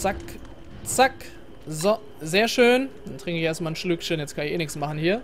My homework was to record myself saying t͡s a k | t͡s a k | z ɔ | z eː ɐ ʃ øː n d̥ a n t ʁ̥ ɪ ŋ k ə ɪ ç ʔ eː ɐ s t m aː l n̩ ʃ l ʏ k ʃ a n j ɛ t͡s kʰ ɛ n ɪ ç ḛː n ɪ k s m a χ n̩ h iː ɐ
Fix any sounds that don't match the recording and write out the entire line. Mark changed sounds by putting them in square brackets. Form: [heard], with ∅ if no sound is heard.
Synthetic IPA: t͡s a k | t͡s a k | z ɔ | z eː ɐ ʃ øː n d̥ a n t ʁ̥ ɪ ŋ k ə ɪ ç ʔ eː ɐ s t m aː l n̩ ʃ l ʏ k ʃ [ə] n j ɛ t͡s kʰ [a] n ɪ ç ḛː n ɪ k s m a χ n̩ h iː ɐ